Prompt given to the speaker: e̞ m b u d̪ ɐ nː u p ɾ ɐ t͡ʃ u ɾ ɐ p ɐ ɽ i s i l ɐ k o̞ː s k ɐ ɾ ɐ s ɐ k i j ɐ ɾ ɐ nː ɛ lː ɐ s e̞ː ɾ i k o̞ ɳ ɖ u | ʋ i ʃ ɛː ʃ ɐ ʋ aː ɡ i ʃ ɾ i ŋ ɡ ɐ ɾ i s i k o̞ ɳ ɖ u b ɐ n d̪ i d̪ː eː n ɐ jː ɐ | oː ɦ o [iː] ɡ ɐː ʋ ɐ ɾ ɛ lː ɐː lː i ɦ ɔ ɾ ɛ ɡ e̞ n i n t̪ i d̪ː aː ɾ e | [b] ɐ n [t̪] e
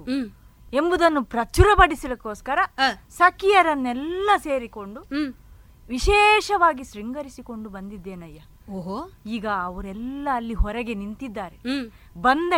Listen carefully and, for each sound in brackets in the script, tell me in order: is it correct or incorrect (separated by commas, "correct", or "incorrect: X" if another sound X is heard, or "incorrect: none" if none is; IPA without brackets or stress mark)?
correct, correct, incorrect: d̪